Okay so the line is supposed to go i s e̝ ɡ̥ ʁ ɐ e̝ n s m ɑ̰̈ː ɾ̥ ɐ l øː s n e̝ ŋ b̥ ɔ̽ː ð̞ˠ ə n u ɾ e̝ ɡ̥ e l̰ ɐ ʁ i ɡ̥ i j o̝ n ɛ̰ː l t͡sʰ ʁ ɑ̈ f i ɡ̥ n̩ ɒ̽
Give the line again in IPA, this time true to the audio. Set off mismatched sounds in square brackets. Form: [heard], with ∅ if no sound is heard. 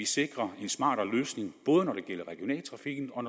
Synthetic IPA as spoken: i s e̝ ɡ̥ ʁ ɐ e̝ n s m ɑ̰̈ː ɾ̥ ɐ l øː s n e̝ ŋ b̥ ɔ̽ː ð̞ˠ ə n [ɒ] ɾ e̝ ɡ̥ e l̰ ɐ ʁ [ɛ] ɡ̥ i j o̝ n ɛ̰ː l t͡sʰ ʁ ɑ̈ f i ɡ̥ n̩ ɒ̽